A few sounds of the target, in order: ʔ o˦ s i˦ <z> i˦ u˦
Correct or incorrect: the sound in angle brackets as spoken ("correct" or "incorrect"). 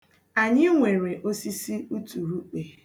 incorrect